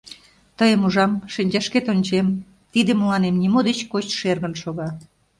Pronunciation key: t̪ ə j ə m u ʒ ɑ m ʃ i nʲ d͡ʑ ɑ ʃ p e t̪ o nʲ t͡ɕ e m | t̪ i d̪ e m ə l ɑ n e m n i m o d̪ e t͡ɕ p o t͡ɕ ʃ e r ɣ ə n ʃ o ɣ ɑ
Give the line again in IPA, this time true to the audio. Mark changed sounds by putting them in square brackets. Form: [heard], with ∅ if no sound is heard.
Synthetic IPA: t̪ ə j ə m u ʒ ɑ m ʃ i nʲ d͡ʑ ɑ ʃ [k] e t̪ o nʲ t͡ɕ e m | t̪ i d̪ e m ə l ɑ n e m n i m o d̪ e t͡ɕ [k] o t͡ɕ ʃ e r ɣ ə n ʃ o ɣ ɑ